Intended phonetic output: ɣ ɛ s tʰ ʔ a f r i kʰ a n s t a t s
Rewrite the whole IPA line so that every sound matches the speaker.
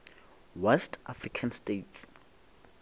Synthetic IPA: w ɛ s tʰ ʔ a f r i kʰ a n s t e t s